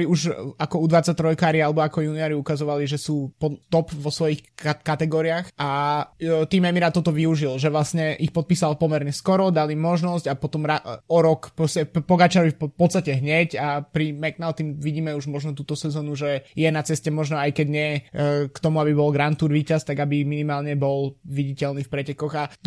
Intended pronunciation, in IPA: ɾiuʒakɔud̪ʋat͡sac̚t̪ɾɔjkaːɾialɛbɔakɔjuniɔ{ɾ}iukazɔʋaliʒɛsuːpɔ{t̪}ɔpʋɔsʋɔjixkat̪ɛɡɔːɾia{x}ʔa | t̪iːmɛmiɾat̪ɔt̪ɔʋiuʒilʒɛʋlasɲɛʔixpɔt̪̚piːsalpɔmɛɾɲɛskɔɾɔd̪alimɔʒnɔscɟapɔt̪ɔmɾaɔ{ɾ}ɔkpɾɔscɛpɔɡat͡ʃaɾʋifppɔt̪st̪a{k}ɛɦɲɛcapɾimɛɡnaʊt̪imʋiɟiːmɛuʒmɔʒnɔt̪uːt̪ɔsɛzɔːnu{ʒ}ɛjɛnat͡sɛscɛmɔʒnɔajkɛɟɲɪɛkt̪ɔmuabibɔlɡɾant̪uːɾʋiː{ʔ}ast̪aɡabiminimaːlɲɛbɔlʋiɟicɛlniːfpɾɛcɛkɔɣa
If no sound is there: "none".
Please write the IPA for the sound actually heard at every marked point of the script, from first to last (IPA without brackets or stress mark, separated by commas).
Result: ɾ, t̪, x, ɾ, c, ʒ, c